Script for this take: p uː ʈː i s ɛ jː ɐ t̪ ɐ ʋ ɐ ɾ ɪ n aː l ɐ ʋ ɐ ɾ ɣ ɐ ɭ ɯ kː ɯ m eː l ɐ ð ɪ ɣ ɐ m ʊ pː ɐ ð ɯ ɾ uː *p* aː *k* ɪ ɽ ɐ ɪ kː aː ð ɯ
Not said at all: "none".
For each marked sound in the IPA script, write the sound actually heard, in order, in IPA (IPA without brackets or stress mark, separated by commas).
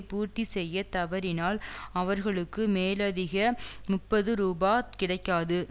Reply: b, k